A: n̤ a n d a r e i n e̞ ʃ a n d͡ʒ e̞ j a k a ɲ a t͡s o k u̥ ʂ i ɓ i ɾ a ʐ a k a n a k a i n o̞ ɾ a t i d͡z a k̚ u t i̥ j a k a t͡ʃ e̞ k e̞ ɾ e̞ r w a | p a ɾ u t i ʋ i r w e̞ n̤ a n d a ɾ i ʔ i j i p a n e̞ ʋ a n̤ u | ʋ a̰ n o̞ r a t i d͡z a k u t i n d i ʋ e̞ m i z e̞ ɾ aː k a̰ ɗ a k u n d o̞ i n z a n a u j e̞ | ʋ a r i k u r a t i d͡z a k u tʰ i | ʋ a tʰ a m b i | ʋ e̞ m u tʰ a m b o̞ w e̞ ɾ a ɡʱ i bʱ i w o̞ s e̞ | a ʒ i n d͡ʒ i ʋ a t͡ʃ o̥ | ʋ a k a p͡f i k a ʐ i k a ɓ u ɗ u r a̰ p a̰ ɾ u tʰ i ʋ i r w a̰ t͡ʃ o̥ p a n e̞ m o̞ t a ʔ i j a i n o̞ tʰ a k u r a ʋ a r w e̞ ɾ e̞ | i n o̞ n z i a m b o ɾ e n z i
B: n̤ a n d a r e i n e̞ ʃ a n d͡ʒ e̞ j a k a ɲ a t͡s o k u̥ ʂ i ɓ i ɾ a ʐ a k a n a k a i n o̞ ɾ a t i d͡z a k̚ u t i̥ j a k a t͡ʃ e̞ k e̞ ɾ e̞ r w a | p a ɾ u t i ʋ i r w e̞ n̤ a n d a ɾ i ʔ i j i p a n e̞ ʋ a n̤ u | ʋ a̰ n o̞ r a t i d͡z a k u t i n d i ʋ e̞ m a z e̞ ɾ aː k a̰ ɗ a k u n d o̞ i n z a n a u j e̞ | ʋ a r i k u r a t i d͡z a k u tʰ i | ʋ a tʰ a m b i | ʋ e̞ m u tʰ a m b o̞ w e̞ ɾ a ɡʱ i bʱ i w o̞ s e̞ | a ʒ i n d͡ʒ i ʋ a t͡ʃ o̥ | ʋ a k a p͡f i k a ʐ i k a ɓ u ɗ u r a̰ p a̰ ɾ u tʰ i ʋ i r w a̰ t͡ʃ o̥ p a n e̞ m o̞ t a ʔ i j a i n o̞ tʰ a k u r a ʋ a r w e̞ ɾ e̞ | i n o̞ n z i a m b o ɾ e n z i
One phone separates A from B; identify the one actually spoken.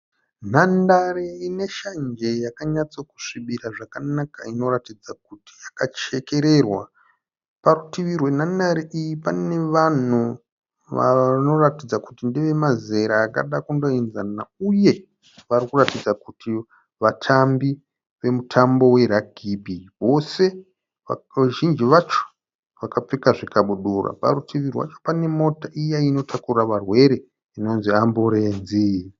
B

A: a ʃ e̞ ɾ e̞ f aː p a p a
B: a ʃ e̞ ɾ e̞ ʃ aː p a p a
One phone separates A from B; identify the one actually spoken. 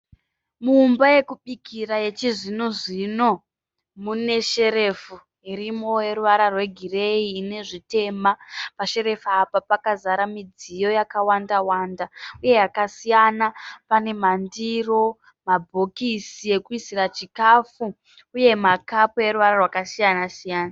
A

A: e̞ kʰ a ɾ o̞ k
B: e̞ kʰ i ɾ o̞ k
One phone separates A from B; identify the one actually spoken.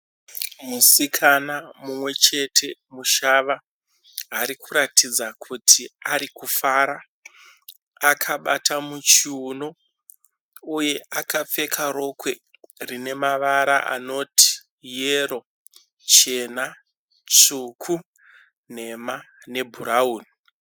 A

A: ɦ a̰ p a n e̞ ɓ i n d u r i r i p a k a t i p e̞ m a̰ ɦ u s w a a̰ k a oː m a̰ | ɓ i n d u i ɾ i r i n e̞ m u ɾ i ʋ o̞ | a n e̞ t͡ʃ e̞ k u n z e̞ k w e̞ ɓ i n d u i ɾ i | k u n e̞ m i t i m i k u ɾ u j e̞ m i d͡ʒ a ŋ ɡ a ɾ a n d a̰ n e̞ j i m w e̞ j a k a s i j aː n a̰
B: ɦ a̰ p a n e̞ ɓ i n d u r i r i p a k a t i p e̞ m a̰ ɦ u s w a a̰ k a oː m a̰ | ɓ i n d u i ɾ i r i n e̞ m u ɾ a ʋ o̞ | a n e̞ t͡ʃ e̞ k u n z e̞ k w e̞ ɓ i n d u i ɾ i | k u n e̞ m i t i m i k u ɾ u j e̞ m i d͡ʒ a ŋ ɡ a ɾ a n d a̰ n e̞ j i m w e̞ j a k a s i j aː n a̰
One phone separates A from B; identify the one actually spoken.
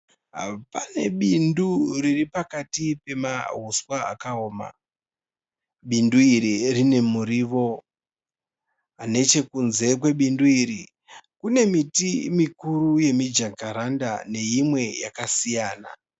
A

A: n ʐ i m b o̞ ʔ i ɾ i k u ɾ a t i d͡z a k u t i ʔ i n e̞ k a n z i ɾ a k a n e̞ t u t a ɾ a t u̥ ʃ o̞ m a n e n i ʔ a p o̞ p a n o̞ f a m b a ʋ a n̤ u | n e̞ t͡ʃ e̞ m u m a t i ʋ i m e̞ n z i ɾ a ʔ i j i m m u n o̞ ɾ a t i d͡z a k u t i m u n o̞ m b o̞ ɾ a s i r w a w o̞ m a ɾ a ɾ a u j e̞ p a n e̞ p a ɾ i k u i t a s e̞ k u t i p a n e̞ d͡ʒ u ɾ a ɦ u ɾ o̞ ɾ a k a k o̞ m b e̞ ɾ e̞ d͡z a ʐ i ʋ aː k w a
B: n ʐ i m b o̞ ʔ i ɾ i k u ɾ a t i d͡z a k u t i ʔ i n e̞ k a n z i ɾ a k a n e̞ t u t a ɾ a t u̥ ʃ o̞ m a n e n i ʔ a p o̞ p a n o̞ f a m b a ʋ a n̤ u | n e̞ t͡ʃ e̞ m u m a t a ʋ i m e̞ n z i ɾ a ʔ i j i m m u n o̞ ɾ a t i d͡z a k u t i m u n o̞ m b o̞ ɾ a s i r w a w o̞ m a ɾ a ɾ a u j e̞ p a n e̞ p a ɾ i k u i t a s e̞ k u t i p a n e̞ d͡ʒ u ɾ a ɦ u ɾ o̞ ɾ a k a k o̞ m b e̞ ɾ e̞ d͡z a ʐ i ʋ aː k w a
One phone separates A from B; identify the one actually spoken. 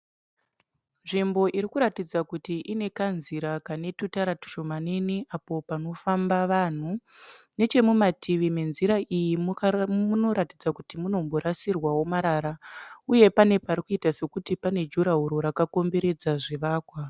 A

